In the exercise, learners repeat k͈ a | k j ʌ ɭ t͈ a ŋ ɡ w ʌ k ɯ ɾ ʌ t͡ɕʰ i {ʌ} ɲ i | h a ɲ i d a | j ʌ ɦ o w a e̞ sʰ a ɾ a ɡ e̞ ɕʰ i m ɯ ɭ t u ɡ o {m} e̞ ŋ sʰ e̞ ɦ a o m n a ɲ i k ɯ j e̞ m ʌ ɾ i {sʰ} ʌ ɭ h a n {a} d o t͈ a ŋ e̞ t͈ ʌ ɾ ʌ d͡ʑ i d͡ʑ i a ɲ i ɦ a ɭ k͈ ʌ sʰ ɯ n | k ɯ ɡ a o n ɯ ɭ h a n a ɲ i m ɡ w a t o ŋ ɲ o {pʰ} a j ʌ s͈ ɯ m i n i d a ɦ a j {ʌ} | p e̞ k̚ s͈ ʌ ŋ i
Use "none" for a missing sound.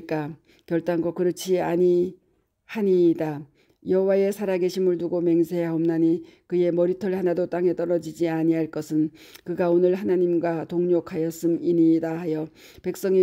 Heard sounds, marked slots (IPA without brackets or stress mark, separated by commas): a, m, tʰ, a, kʰ, ʌ